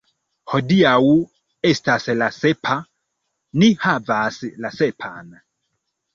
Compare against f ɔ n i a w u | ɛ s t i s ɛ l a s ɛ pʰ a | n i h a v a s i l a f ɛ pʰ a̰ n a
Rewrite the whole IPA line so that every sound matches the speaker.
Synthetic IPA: h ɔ d i a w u | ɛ s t a s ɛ l a s ɛ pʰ a | n i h a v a s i l a s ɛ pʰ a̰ n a